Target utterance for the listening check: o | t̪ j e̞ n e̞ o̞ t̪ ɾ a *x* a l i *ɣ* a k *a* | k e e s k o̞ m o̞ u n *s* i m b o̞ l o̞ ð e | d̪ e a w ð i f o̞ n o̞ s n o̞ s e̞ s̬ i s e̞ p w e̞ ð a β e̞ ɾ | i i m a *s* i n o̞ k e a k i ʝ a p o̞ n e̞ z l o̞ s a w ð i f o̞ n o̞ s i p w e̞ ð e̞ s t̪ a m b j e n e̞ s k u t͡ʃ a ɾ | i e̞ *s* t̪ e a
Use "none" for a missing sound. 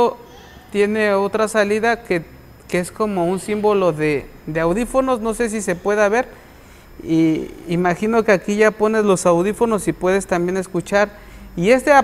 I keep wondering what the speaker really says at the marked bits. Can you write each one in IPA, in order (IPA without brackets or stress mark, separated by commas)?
s, ð, e, s, x, s